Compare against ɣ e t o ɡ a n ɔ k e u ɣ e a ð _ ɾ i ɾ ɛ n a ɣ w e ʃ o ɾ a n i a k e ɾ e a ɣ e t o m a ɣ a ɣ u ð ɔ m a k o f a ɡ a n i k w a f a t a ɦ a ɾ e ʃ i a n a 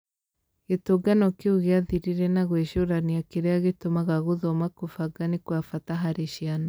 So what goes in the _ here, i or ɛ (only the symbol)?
i